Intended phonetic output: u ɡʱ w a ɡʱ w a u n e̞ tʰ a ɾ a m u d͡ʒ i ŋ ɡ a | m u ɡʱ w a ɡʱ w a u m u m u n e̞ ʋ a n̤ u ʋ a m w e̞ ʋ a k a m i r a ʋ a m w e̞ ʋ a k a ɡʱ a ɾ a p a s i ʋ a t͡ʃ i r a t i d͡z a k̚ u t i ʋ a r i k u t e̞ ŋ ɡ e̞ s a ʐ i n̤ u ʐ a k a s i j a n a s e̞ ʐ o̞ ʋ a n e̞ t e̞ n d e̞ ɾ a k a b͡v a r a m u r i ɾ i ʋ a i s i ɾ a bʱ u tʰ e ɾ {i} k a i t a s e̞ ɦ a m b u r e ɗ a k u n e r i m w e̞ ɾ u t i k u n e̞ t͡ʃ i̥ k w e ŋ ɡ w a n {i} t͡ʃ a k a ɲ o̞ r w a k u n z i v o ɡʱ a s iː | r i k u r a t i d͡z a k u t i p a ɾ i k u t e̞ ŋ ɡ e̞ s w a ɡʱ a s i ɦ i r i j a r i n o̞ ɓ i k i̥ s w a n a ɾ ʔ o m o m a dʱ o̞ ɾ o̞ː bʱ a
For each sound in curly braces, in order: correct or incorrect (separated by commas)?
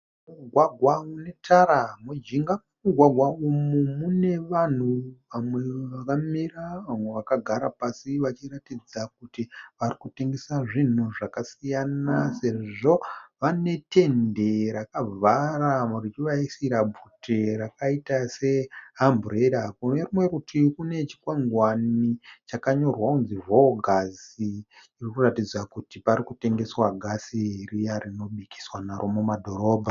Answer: incorrect, correct